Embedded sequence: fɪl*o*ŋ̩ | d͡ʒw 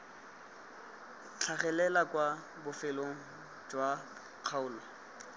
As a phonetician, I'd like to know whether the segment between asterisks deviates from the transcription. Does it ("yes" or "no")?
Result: no